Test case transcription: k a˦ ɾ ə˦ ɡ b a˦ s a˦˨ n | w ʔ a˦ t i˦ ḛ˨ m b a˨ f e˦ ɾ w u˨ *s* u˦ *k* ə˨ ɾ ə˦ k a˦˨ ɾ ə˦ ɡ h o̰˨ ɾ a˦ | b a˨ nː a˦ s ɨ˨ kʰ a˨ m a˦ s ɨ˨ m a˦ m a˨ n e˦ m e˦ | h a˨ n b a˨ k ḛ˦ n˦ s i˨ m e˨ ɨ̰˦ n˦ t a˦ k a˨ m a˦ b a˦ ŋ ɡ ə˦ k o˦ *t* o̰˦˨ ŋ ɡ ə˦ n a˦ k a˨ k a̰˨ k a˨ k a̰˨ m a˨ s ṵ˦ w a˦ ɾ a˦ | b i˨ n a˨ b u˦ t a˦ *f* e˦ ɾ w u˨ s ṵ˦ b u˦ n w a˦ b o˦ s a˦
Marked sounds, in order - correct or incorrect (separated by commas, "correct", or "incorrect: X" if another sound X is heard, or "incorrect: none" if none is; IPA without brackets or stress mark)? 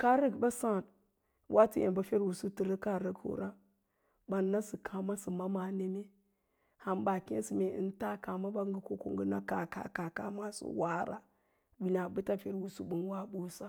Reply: correct, incorrect: t, incorrect: k, correct